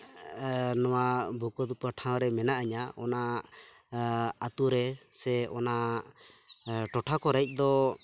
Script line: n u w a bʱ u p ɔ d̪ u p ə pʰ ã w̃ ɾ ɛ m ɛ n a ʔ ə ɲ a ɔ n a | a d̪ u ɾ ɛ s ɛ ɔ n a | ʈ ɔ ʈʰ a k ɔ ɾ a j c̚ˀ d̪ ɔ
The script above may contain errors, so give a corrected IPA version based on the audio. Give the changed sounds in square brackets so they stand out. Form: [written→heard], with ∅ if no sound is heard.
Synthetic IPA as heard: n [u→ɔ] w a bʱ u [p→k] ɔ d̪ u p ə [pʰ→ʈʰ] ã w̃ ɾ ɛ m ɛ n a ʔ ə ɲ a ɔ n a | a [d̪→t̪] u ɾ ɛ s ɛ ɔ n a | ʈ ɔ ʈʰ a k ɔ ɾ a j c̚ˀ d̪ ɔ